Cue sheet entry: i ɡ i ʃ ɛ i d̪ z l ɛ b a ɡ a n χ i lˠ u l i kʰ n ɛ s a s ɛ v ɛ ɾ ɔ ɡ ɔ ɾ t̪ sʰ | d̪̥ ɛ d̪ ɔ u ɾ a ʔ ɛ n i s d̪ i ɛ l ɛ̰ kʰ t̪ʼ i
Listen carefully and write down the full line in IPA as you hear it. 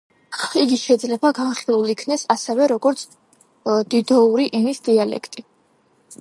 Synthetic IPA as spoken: i ɡ i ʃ ɛ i d̪ z l ɛ b a ɡ a n χ i lˠ u l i kʰ n ɛ s a s ɛ v ɛ ɾ ɔ ɡ ɔ ɾ t̪ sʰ | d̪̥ i d̪ ɔ u ɾ i ʔ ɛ n i s d̪ i a l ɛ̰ kʰ t̪ʼ i